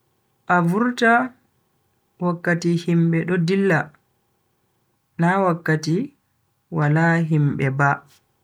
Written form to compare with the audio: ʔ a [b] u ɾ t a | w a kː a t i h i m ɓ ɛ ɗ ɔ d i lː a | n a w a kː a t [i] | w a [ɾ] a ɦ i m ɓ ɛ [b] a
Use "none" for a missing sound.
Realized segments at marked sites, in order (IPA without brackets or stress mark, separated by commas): v, i, l, b